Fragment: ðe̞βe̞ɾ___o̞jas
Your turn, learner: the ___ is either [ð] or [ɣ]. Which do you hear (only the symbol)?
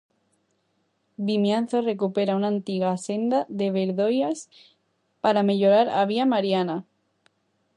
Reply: ð